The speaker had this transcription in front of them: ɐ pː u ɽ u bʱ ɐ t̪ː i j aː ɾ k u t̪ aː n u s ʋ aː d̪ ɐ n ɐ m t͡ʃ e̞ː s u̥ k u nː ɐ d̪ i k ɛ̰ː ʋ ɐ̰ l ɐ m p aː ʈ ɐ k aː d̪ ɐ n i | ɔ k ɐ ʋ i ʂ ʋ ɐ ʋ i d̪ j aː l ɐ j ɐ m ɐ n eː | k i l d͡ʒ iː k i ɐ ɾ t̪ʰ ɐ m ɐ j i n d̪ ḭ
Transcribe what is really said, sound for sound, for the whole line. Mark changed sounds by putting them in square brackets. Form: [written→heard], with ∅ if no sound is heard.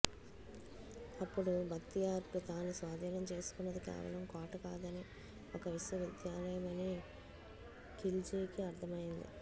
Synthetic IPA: ɐ pː u ɽ u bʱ ɐ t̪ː i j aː ɾ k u t̪ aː n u s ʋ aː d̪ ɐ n ɐ m t͡ʃ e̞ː s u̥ k u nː ɐ d̪ i k ɛ̰ː ʋ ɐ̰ l ɐ m [p→k] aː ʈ ɐ k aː d̪ ɐ n i | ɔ k ɐ ʋ i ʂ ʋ ɐ ʋ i d̪ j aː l ɐ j ɐ m ɐ n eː | k i l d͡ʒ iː k i ɐ ɾ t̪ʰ ɐ m ɐ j i n d̪ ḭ